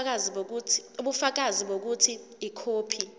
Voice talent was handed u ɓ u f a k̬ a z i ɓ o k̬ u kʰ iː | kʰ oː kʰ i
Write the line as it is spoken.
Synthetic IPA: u ɓ u f a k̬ a z i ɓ o k̬ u tʰ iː | kʰ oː pʰ i